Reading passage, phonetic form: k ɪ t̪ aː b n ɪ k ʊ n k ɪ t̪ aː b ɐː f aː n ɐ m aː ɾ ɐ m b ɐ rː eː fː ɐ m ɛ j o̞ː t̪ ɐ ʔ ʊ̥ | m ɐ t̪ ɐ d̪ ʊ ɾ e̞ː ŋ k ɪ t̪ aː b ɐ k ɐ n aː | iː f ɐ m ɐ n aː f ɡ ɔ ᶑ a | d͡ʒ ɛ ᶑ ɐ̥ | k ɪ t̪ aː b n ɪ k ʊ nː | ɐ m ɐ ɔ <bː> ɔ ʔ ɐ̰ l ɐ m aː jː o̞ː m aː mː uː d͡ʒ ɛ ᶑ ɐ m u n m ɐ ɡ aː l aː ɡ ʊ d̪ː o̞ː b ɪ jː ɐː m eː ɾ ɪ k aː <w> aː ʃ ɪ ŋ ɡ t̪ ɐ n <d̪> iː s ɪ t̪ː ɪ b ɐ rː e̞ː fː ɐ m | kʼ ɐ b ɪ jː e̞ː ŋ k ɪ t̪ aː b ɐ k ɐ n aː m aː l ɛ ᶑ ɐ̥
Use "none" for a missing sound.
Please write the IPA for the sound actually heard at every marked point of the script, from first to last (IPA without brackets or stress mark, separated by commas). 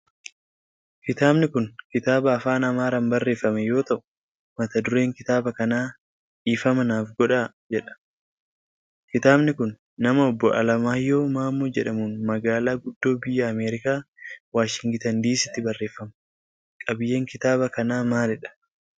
bː, w, d̪